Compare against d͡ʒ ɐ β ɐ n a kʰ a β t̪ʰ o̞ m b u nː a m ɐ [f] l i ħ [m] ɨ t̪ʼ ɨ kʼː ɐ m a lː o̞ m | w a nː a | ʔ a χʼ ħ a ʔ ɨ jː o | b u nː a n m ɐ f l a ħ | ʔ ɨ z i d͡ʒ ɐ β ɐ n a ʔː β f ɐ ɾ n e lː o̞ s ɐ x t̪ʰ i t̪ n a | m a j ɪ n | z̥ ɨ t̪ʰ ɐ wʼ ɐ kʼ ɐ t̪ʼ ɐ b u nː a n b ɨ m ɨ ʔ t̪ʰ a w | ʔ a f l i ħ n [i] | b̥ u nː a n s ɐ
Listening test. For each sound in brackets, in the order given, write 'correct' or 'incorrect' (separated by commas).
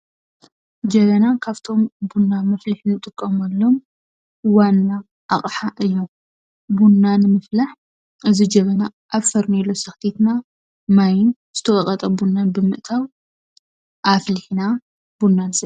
correct, incorrect, incorrect